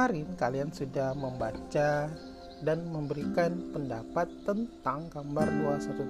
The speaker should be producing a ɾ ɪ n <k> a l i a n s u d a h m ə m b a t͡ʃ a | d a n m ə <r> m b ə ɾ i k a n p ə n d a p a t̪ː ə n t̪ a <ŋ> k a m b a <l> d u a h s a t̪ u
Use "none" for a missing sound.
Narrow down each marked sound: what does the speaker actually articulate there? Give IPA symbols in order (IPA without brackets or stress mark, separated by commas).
k, none, ŋ, r